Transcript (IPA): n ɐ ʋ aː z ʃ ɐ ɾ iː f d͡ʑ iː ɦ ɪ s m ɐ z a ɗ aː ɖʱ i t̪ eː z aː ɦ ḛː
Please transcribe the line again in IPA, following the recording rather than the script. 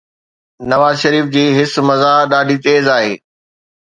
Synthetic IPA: n ɐ ʋ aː z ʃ ɐ ɾ iː f d͡ʑ iː ɦ ɪ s m ɐ z a ɗ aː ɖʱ i t̪ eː z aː ɦ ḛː

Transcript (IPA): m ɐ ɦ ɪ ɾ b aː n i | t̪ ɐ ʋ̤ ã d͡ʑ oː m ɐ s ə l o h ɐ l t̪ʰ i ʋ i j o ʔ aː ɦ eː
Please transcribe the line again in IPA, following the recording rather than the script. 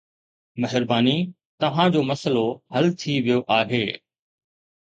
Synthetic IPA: m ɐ ɦ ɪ ɾ b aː n i | t̪ ɐ ʋ̤ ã d͡ʑ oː m ɐ s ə l o h ɐ l t̪ʰ i ʋ i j o ʔ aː ɦ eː

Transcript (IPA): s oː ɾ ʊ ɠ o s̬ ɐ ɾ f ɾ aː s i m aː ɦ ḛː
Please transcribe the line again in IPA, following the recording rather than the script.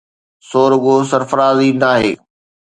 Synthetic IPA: s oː ɾ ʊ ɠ o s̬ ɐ ɾ f ɾ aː z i n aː ɦ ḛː

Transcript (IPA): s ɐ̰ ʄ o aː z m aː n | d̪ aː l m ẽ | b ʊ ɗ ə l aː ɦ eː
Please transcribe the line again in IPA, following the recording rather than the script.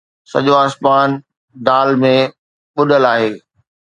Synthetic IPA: s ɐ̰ ʄ o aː s m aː n | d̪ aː l m ẽ | ɓ ʊ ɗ ə l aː ɦ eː

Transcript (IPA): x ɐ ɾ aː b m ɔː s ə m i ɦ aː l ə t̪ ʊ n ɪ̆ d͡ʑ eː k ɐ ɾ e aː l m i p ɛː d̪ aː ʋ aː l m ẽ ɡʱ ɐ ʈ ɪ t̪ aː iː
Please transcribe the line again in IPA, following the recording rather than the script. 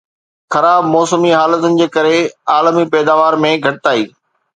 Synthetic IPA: x ɐ ɾ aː b m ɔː s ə m i ɦ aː l ə t̪ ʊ n ɪ̆ d͡ʑ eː k ɐ ɾ e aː l m i p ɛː d̪ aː ʋ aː ɾ m ẽ ɡʱ ɐ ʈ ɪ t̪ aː iː

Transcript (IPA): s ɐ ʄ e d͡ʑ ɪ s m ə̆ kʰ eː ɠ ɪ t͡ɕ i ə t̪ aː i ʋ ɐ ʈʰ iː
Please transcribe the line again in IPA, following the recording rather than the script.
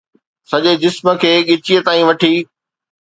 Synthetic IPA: s ɐ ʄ e d͡ʑ ɪ s m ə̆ kʰ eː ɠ ɪ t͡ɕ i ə t̪ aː ĩ ʋ ɐ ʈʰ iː

